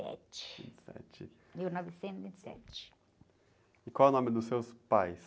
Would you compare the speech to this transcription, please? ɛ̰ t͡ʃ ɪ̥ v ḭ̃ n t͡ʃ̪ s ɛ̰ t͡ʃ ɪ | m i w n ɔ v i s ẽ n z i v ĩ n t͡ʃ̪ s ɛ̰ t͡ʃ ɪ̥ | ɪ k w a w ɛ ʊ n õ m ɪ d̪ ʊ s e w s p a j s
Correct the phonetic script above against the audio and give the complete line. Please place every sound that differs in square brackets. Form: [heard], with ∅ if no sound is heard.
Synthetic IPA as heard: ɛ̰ t͡ʃ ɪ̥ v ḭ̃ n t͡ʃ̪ s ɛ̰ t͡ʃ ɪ | m i w n ɔ v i s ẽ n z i v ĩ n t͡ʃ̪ s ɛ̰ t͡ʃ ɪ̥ | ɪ k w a w ɛ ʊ n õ m ɪ d̪ ʊ s e w s p a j s